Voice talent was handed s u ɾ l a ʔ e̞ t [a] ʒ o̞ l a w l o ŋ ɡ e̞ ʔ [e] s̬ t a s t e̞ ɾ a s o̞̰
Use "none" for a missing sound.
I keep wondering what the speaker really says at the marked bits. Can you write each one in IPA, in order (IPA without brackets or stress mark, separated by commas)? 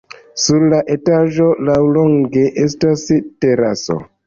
a, e